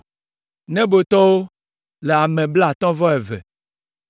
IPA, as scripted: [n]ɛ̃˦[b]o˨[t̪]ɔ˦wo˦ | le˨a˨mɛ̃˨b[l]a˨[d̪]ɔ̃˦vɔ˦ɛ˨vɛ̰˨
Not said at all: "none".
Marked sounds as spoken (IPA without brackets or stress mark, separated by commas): n, b, t̪, l, t̪